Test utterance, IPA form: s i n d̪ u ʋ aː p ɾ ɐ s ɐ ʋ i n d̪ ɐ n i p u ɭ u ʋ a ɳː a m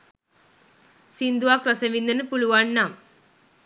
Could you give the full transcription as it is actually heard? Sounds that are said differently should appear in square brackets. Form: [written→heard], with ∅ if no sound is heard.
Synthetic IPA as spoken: s i n d̪ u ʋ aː [p→k] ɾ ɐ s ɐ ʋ i n d̪ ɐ n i p u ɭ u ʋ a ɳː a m